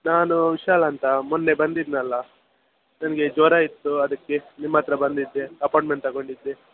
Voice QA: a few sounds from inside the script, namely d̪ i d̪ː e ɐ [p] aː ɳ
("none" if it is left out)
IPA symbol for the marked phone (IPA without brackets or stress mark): p